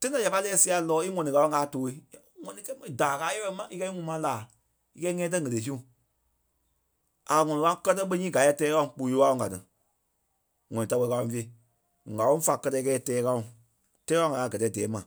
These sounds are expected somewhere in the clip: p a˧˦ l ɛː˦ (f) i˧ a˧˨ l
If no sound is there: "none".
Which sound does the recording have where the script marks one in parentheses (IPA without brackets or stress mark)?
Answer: s